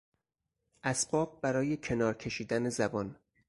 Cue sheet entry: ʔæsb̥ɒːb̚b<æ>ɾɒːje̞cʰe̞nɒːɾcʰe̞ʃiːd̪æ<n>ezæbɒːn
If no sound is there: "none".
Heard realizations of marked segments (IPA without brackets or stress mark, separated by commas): æ, n